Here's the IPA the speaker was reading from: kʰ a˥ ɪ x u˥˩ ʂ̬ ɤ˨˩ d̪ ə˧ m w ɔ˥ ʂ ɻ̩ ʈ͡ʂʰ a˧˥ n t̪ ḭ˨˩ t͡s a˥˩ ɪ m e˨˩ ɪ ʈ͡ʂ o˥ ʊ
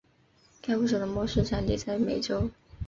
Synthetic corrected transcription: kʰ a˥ ɪ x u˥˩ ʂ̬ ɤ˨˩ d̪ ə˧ m w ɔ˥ ʂ ɻ̩ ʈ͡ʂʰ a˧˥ n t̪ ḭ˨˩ t͡s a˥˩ ɪ m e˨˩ ɪ ʈ͡ʂ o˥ ʊ